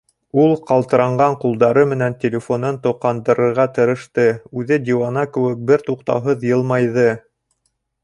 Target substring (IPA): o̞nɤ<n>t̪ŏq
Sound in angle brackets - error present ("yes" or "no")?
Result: no